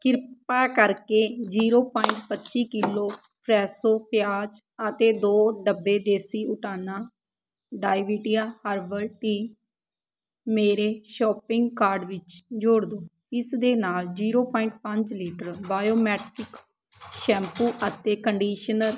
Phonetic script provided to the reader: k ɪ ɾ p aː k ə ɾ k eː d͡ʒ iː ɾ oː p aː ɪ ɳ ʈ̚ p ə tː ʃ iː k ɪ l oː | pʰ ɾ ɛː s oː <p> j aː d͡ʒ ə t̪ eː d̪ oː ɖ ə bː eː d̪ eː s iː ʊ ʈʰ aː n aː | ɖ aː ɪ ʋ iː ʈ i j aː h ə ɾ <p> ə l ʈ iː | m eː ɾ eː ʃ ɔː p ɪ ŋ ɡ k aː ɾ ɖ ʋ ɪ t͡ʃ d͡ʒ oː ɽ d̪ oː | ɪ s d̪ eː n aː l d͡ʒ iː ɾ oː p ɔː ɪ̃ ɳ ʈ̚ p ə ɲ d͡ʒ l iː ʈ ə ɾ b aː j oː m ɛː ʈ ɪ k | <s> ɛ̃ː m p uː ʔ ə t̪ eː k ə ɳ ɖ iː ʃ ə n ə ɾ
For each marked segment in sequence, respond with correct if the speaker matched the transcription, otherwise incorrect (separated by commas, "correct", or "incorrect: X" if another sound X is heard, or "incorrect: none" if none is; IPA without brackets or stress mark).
correct, incorrect: b, incorrect: ʃ